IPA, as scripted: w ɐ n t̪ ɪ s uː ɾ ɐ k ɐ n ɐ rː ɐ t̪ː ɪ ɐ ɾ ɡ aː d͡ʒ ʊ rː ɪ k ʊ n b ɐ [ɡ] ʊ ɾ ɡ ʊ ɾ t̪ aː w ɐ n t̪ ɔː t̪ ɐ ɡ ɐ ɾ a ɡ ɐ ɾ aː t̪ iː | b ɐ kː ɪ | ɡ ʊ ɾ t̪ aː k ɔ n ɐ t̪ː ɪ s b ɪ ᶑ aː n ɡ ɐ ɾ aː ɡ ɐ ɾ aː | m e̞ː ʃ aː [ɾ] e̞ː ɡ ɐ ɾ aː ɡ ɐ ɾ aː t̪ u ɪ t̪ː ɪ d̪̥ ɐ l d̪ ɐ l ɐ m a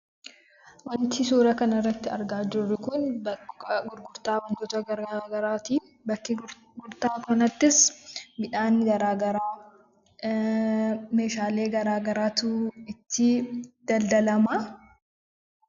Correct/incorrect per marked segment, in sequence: correct, incorrect: l

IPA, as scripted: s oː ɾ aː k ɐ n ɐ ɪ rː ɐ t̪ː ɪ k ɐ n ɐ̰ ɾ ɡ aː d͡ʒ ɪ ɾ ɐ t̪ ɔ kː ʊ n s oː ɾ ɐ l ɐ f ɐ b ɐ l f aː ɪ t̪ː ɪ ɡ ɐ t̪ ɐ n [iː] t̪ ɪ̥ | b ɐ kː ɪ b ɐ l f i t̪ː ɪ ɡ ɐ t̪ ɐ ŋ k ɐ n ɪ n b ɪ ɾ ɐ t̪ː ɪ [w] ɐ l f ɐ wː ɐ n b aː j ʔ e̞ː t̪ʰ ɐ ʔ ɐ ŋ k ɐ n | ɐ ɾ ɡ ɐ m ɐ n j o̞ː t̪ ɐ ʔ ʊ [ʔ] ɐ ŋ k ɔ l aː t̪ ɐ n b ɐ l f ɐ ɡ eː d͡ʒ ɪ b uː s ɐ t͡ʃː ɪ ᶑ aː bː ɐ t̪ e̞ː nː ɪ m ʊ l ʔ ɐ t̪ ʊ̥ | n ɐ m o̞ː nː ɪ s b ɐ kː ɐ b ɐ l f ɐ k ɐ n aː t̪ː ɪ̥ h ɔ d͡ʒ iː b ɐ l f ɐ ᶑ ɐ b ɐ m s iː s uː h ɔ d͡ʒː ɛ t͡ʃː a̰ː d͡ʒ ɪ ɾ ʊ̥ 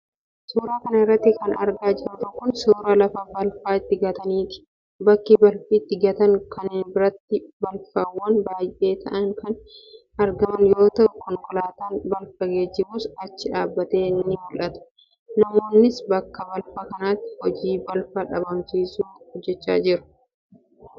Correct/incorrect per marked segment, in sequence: correct, incorrect: b, incorrect: k

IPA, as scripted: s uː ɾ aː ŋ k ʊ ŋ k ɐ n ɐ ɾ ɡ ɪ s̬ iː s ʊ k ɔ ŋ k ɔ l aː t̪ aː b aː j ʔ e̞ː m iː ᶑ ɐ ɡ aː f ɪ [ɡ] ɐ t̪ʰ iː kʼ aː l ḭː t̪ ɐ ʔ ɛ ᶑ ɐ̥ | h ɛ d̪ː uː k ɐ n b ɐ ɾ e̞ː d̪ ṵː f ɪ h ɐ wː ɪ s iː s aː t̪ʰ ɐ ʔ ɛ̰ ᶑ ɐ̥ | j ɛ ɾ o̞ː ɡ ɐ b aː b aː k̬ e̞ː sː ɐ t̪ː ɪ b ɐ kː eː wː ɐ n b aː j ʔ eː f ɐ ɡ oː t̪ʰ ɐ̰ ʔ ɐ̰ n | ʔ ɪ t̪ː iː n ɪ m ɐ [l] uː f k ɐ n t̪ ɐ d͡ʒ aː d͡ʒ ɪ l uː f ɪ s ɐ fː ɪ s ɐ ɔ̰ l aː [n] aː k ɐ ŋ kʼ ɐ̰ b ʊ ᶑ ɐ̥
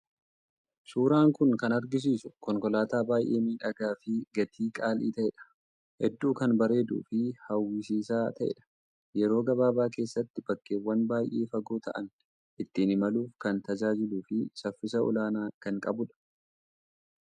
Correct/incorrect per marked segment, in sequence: correct, correct, correct

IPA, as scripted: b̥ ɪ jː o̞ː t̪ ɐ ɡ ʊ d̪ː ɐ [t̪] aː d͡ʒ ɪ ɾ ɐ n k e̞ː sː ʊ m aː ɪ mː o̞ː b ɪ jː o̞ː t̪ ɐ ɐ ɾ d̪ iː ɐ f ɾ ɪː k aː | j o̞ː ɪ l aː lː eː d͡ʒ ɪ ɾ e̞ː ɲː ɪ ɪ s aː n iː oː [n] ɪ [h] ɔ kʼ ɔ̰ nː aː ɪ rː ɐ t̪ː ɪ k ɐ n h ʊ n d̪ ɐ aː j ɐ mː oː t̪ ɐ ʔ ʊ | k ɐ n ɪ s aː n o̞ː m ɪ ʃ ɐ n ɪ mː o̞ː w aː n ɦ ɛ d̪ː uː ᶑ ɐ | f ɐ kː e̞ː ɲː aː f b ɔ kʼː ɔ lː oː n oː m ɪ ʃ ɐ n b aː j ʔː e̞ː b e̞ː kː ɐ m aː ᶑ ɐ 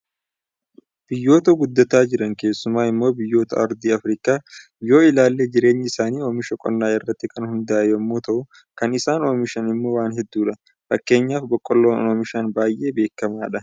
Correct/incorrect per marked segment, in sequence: correct, incorrect: m, incorrect: ʃ

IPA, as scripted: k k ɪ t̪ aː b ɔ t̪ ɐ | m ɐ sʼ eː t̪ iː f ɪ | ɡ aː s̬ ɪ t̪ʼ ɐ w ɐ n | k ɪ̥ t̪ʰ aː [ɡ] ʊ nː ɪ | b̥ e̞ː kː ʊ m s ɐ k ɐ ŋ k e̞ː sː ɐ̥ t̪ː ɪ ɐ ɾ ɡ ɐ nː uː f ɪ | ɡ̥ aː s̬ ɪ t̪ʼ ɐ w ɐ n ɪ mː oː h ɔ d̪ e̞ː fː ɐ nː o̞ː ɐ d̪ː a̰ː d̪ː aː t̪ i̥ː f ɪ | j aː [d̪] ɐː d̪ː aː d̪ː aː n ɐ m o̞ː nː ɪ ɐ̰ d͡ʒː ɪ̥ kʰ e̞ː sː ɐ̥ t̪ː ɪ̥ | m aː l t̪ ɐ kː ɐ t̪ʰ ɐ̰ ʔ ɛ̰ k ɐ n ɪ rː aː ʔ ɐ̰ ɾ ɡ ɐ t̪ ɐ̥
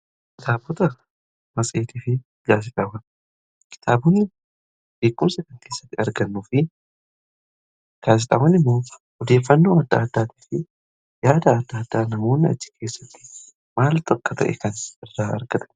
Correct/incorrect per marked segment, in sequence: incorrect: b, correct

